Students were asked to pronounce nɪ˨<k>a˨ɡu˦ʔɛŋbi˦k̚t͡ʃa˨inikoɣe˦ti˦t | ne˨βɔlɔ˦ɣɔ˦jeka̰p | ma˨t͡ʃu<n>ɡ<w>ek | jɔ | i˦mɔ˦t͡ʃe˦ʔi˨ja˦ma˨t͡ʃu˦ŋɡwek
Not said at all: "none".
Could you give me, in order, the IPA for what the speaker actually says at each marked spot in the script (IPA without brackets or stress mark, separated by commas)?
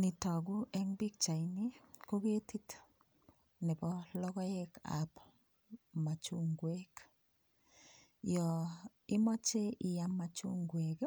t, ŋ, w